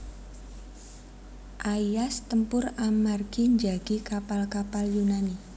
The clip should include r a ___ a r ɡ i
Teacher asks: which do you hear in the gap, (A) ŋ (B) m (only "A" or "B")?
B